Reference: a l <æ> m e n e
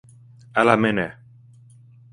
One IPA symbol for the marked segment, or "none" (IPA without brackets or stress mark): a